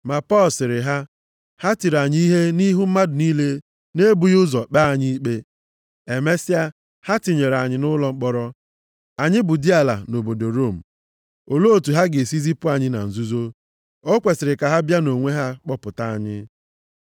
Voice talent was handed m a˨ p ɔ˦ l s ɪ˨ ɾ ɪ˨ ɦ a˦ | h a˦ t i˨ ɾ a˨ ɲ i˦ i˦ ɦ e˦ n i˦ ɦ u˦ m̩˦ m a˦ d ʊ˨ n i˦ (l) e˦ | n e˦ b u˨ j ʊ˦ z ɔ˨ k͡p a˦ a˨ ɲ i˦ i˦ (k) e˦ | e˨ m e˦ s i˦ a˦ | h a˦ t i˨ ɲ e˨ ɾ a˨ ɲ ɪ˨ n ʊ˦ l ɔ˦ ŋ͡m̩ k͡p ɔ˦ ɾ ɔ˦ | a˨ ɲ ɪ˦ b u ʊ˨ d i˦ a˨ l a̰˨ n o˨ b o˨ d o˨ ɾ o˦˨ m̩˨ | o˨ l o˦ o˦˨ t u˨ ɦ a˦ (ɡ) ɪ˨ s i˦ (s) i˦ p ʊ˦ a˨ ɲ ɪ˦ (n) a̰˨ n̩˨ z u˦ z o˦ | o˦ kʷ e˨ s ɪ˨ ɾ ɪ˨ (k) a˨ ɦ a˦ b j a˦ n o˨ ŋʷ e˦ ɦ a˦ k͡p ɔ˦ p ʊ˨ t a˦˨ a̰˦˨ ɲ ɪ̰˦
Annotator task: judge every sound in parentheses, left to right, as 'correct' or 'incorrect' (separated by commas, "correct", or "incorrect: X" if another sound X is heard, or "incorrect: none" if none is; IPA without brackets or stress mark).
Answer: correct, incorrect: k͡p, correct, incorrect: z, correct, correct